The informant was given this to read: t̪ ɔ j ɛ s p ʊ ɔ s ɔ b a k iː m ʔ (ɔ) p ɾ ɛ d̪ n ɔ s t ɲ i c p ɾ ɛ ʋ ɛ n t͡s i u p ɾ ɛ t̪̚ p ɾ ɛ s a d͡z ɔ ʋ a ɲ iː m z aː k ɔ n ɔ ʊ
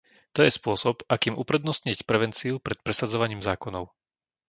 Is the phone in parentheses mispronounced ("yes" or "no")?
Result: yes